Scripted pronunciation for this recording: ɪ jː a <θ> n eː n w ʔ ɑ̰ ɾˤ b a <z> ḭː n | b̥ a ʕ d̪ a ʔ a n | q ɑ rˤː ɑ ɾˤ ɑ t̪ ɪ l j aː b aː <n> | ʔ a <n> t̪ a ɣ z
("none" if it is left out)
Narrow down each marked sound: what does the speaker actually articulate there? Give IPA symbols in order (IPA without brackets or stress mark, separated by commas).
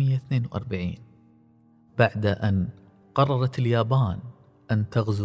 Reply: θ, ʕ, n, n